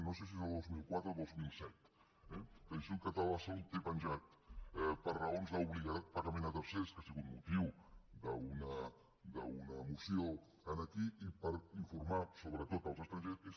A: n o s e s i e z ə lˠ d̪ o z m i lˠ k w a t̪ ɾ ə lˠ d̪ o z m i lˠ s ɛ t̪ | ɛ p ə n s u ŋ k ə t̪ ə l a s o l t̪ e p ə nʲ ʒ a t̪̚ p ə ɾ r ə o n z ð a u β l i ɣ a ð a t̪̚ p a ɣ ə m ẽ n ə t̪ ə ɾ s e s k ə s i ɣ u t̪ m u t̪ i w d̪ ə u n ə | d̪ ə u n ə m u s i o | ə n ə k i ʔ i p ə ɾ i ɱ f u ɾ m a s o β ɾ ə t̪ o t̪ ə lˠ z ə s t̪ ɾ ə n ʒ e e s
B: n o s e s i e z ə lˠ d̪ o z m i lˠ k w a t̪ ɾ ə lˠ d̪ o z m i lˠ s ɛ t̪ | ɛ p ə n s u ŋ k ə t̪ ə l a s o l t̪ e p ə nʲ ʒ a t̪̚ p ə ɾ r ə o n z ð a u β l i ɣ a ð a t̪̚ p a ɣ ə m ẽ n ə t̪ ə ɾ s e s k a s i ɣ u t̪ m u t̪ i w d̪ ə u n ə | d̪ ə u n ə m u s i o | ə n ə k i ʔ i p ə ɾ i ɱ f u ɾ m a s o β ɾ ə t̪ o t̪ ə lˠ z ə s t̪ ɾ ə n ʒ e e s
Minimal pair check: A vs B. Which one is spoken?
B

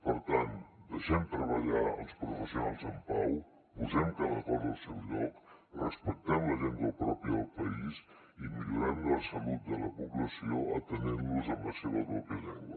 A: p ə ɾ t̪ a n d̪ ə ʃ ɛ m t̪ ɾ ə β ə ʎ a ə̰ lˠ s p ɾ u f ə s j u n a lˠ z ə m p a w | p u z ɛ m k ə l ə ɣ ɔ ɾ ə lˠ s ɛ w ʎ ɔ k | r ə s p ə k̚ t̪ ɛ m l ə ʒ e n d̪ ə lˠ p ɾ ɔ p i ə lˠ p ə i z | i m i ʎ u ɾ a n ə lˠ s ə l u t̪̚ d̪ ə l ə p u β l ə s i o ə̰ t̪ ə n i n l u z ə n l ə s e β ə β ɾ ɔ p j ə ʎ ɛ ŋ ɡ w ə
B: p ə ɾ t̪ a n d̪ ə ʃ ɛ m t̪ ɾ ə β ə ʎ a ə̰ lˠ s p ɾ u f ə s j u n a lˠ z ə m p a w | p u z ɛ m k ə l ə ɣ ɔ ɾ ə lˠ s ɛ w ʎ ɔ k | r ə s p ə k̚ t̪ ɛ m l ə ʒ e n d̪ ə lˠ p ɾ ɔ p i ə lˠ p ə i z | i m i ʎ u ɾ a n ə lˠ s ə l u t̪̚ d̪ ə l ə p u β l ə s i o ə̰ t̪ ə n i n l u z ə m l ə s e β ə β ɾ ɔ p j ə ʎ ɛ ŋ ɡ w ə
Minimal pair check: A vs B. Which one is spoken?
B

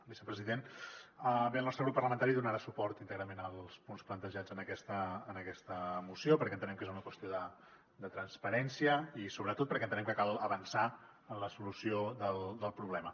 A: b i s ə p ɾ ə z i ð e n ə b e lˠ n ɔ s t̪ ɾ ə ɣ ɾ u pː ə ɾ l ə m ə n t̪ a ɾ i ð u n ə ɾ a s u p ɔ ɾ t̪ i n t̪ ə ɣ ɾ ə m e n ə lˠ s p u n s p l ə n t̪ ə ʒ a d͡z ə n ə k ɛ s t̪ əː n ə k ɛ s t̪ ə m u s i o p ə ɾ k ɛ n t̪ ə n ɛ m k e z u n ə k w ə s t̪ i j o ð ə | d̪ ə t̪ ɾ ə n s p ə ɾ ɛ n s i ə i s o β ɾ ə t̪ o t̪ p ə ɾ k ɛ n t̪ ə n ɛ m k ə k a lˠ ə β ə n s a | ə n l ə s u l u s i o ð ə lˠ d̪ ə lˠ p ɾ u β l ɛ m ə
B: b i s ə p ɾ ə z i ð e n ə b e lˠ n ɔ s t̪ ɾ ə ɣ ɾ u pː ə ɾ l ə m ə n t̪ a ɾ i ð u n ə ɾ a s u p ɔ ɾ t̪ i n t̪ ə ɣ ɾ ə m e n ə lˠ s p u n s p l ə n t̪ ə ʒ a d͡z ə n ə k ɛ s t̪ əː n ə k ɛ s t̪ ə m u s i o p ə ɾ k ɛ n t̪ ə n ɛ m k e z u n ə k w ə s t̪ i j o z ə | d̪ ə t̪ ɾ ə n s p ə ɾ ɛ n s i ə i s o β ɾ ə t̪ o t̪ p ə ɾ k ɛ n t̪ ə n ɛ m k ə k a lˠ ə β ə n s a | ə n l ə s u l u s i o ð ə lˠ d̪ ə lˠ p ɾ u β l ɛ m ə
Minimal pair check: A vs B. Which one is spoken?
A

